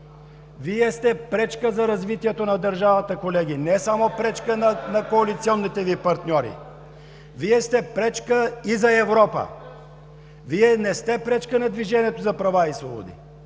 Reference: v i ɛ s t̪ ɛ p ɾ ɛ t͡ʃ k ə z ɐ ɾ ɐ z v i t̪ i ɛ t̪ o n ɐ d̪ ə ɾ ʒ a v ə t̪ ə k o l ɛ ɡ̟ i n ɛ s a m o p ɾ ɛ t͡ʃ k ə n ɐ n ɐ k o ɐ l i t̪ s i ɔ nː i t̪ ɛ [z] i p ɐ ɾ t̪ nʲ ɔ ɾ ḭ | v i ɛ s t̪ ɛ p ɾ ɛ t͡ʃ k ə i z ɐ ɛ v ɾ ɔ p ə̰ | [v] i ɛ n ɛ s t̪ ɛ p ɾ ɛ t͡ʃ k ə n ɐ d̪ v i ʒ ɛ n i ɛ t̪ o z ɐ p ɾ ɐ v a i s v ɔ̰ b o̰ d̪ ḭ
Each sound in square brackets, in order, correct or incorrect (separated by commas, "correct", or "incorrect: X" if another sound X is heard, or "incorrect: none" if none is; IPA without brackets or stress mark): incorrect: v, correct